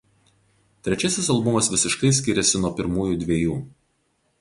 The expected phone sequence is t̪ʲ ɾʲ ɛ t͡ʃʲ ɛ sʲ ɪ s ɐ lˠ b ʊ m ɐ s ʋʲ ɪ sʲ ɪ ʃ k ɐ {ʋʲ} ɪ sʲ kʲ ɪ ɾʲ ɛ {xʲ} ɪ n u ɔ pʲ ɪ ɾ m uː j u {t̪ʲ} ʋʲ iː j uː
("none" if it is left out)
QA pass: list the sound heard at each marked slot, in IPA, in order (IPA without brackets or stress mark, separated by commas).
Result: none, sʲ, d̪ʲ